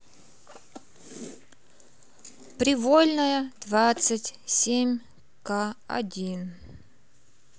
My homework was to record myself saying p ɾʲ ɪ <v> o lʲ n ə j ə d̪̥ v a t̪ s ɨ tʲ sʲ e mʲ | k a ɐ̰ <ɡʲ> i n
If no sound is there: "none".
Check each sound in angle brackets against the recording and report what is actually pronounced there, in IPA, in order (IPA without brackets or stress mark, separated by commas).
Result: v, dʲ